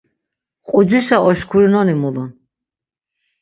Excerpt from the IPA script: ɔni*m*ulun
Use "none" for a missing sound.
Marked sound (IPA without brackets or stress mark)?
m